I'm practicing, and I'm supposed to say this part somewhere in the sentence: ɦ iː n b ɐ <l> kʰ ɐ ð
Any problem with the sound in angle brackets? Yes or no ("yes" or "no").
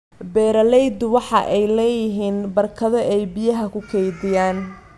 yes